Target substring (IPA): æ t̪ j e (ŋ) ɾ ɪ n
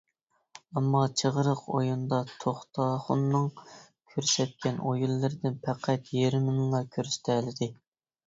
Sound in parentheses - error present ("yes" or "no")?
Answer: yes